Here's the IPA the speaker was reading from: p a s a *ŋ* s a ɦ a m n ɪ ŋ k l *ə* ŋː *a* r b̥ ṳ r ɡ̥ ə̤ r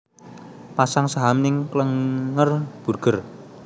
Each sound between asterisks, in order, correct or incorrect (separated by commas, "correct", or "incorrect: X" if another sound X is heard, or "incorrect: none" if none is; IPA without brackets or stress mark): correct, correct, incorrect: ə